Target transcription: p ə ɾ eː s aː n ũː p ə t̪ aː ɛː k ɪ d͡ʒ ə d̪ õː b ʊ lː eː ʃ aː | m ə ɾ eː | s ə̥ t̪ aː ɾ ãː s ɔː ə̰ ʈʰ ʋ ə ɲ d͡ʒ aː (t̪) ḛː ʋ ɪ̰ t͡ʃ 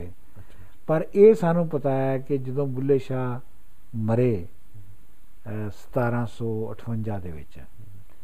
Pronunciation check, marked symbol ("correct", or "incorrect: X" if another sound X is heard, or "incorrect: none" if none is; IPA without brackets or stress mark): incorrect: d̪